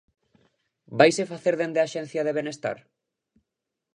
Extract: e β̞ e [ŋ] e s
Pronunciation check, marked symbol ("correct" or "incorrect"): incorrect